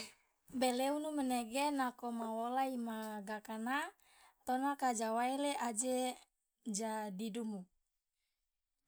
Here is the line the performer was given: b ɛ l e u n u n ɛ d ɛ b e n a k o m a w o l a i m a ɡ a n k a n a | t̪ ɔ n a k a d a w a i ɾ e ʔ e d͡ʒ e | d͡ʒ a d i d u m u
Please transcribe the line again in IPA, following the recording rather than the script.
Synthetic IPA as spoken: b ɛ l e u n u m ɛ n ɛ ɡ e n a k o m a w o l a i m a ɡ a k a n a | t̪ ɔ n a k a d͡ʒ a w a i l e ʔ a d͡ʒ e | d͡ʒ a d i d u m u